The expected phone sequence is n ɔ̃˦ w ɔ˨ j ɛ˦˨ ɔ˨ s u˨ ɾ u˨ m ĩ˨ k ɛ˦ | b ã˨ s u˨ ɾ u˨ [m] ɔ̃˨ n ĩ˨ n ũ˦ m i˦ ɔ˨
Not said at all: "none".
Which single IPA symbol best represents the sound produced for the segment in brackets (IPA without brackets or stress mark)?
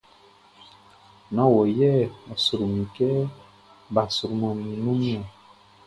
m